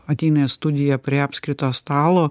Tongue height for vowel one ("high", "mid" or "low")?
low